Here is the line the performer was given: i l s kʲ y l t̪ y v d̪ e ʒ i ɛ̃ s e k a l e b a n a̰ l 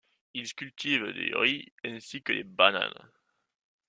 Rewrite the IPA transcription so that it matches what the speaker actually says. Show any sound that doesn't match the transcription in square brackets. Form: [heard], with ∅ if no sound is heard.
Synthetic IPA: i l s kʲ y l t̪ [i] v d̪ e [ʁ] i ɛ̃ s [i] k [ə] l e b a n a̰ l